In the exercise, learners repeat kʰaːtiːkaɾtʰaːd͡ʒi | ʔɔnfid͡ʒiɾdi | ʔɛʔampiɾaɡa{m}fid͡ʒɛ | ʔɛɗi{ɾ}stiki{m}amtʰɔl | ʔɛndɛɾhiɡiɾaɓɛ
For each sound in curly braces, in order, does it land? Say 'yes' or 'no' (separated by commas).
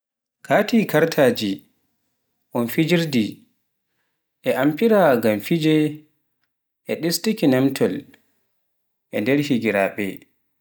yes, no, no